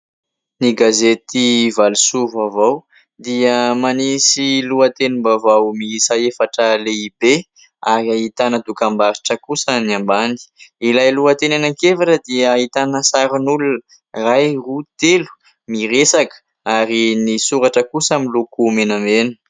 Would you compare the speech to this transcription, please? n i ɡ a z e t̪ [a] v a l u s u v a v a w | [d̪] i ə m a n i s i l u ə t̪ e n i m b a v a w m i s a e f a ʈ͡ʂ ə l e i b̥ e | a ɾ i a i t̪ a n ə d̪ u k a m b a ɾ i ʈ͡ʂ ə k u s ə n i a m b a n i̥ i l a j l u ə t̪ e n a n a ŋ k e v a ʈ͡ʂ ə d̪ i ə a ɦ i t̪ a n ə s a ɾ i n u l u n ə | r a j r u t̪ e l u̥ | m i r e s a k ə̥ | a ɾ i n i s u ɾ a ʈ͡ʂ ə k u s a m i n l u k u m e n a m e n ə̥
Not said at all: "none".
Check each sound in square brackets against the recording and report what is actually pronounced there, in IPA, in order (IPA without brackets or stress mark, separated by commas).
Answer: i, d̪